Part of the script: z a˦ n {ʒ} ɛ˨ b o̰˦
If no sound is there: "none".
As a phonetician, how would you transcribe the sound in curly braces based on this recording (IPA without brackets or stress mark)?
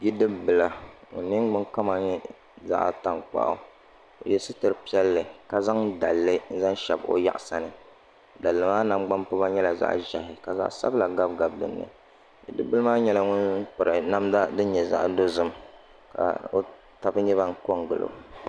ʃ